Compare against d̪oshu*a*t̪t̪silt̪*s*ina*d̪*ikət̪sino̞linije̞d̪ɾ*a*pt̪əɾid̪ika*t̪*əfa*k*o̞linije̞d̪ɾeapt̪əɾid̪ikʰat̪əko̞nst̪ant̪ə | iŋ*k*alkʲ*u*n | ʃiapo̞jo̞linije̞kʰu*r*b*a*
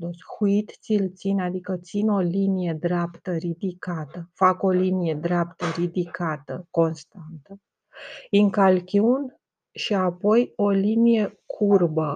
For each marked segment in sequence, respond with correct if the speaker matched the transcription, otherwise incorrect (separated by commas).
incorrect, correct, correct, correct, correct, correct, correct, correct, correct, incorrect